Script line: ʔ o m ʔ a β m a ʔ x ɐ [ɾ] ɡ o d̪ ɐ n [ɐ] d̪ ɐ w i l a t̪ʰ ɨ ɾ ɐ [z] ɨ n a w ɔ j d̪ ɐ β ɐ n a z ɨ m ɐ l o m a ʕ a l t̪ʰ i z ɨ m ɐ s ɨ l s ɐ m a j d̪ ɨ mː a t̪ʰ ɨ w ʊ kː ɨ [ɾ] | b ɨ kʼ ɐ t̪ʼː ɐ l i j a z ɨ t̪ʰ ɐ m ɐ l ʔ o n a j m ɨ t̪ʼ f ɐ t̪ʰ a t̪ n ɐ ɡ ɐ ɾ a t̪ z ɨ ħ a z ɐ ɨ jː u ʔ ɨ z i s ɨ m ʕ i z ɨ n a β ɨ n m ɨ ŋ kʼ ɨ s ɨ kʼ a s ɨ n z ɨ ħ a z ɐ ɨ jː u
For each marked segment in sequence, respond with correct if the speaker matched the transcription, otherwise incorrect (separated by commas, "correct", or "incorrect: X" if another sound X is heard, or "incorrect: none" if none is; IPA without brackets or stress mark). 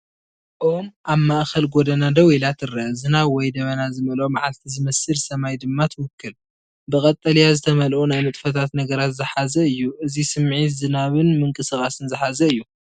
incorrect: l, incorrect: a, correct, incorrect: l